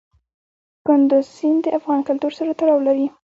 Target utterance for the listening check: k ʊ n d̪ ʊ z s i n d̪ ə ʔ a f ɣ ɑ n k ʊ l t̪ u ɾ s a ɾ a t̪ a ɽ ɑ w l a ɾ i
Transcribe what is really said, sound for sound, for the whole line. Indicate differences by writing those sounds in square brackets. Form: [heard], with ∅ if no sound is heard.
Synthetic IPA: k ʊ n d̪ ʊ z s i n d̪ ə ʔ a f ɣ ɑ n k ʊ l t̪ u ɾ s a ɾ a t̪ a ɽ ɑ w l a ɾ i